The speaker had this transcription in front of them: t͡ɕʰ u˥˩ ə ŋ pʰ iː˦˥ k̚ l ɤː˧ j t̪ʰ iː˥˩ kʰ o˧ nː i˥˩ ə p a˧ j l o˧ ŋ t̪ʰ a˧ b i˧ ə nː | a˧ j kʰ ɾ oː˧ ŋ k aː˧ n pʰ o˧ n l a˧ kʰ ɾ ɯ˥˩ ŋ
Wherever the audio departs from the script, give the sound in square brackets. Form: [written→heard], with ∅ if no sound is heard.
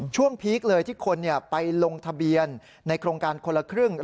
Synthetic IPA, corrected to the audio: t͡ɕʰ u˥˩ ə ŋ pʰ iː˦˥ k̚ l ɤː˧ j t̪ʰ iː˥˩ kʰ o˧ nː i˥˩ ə p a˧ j l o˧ ŋ t̪ʰ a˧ b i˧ ə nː | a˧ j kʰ ɾ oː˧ ŋ k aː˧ n [pʰ→kʰ] o˧ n l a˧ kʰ ɾ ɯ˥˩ ŋ